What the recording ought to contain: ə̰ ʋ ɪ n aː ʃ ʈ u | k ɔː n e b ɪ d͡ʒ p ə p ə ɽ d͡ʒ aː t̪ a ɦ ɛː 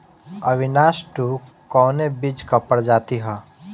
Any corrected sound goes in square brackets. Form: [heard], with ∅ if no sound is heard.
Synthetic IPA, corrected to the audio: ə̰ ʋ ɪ n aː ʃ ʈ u | k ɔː n e b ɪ d͡ʒ [k] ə p ə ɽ d͡ʒ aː t̪ [i] ɦ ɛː